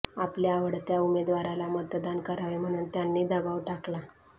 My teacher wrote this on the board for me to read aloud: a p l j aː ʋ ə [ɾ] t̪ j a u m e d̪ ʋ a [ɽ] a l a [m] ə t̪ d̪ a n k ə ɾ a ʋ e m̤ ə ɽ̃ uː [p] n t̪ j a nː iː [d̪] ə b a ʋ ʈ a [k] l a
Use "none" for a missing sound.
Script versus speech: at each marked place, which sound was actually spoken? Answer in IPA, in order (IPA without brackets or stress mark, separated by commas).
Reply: ɽ, ɾ, m, none, d̪, k